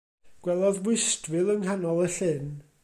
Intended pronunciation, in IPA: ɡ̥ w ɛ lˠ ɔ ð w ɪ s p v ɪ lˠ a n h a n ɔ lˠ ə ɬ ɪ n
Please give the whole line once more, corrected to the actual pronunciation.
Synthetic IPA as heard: ɡ̥ w ɛ lˠ ɔ ð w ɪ s t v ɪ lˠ ə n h a n ɔ lˠ ə ɬ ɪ n